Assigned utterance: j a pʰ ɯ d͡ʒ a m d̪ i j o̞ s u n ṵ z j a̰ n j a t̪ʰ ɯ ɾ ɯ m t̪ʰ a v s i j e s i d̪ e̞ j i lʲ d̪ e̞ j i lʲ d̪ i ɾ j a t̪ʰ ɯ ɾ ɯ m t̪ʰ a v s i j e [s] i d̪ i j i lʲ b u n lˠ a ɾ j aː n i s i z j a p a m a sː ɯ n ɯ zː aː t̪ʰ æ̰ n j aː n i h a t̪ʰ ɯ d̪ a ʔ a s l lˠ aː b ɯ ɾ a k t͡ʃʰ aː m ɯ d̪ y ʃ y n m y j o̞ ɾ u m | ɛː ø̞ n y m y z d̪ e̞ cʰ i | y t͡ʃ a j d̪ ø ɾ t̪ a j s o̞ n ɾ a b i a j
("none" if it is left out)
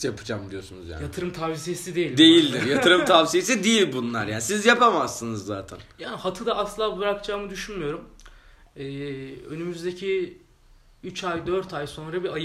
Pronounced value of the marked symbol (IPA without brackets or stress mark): s